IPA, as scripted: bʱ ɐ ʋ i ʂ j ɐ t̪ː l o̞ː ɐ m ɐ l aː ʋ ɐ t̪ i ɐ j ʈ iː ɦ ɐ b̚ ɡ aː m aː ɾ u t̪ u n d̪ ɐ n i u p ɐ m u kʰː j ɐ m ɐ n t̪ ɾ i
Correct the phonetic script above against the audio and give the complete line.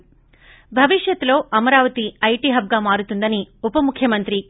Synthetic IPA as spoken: bʱ ɐ ʋ i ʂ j ɐ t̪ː l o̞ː ɐ m ɐ ɾ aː ʋ ɐ t̪ i ɐ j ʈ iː ɦ ɐ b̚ ɡ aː m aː ɾ u t̪ u n d̪ ɐ n i u p ɐ m u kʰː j ɐ m ɐ n t̪ ɾ i